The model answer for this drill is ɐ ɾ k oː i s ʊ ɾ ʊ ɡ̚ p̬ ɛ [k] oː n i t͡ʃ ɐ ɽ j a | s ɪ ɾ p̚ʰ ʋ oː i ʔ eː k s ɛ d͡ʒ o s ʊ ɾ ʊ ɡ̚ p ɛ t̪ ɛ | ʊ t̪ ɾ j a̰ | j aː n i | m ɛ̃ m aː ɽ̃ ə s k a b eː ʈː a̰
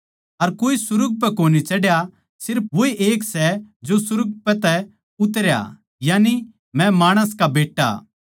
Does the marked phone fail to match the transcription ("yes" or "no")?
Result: no